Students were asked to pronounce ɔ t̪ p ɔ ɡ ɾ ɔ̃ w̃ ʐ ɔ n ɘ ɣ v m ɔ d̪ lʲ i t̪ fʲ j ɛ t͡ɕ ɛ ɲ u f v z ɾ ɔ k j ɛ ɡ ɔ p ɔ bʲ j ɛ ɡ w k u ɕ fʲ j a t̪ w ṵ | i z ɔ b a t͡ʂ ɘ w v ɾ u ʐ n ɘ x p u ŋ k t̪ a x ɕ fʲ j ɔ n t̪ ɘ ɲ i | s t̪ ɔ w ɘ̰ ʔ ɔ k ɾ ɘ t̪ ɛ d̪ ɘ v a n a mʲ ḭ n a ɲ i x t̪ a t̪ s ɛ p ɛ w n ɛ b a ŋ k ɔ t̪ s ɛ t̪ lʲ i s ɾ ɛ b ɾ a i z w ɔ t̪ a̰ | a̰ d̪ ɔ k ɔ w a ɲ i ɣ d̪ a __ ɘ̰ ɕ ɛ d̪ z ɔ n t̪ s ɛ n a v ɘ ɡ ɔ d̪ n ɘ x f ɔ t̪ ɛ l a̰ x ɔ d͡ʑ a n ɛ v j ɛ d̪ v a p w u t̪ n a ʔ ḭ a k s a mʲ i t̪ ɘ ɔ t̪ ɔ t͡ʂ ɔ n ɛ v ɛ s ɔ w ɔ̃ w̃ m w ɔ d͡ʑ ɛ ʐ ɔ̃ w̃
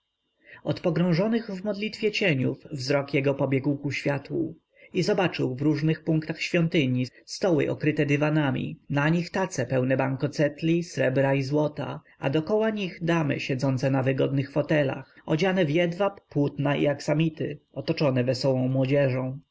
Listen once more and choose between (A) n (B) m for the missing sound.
B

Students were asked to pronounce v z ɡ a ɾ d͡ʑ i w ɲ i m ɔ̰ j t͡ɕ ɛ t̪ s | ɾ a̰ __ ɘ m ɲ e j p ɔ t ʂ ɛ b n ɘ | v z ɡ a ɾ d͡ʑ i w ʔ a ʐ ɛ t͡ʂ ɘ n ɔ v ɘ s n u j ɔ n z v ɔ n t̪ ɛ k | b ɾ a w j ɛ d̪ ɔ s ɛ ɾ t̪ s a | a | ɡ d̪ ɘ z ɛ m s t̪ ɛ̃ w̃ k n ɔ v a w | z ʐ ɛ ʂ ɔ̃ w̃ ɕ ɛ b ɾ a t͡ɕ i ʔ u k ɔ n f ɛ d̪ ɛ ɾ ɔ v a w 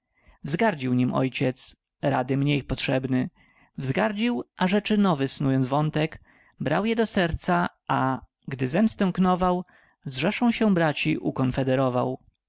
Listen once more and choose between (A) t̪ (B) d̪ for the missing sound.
B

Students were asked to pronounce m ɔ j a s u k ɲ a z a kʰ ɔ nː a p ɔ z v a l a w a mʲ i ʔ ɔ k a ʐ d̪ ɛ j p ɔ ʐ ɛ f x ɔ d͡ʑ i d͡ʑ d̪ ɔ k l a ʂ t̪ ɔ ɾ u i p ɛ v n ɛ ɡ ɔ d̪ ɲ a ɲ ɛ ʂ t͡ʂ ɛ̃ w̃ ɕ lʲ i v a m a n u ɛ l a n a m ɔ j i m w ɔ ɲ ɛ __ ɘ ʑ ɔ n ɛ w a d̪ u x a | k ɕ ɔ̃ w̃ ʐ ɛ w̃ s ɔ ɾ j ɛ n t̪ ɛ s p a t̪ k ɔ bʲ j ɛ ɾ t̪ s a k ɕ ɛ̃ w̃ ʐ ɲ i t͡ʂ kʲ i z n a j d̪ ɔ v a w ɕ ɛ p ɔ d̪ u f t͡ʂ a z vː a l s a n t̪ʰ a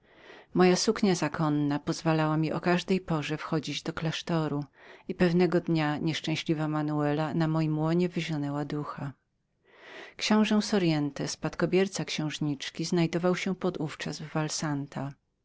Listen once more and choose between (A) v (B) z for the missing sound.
A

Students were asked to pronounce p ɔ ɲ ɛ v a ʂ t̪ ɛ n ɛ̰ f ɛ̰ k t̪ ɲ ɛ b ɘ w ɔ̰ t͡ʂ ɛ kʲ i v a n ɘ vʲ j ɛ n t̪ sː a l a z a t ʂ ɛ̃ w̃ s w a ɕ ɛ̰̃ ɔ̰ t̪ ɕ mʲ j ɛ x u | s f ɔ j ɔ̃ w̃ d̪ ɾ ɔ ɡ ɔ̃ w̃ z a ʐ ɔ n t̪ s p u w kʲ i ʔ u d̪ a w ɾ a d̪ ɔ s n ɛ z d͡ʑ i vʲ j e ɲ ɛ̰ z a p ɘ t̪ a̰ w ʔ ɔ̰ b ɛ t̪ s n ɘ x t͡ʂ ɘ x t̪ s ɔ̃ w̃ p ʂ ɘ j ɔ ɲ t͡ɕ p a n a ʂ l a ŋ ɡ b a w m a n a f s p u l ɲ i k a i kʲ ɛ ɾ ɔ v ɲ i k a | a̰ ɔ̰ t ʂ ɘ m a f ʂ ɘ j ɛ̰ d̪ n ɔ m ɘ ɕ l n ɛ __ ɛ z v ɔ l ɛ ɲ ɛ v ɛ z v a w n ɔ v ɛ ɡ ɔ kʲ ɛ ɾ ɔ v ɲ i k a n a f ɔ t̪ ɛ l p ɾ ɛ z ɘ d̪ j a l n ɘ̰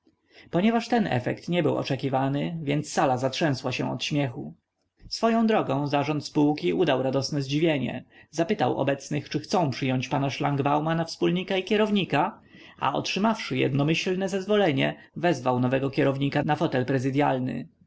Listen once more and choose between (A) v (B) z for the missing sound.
B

